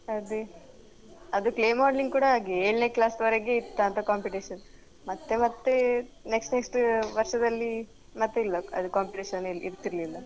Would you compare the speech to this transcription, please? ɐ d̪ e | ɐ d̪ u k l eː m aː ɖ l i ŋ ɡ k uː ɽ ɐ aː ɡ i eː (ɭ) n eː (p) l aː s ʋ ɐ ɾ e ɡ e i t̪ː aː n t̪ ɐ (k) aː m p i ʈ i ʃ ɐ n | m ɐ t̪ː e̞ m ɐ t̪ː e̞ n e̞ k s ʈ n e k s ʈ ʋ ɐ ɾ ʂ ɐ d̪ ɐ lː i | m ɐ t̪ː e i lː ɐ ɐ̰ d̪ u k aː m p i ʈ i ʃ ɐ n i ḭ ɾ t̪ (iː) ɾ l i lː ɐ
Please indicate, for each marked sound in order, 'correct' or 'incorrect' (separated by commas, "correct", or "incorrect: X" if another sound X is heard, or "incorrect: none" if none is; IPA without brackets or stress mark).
correct, incorrect: k, correct, incorrect: i